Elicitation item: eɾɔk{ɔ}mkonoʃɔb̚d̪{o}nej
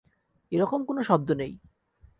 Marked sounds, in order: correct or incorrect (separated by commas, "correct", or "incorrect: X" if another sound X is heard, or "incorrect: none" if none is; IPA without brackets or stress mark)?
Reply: incorrect: o, correct